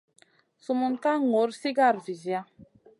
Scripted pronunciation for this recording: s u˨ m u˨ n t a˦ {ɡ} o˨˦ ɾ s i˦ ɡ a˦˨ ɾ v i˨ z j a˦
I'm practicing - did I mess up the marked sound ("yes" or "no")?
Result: yes